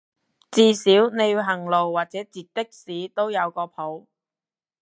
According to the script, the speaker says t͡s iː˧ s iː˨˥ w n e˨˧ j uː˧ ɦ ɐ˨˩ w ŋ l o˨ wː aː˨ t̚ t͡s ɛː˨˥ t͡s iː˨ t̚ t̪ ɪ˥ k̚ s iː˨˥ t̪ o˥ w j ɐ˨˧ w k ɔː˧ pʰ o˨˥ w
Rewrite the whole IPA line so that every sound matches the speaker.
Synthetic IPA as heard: t͡s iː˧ s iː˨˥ w n e˨˧ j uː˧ ɦ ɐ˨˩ ŋ l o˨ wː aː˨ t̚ t͡s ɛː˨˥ t͡s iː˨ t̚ t̪ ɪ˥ k̚ s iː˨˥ t̪ o˥ w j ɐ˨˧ w k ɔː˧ pʰ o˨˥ w